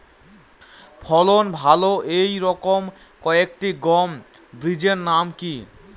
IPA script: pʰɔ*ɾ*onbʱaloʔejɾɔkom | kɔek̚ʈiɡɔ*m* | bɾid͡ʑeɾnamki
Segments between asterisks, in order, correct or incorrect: incorrect: l, correct

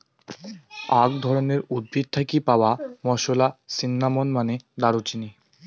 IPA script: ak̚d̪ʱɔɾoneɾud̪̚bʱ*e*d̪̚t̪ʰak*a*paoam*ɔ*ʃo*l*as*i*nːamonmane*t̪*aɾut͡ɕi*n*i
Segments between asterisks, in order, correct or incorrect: incorrect: i, incorrect: i, correct, correct, correct, incorrect: d̪, correct

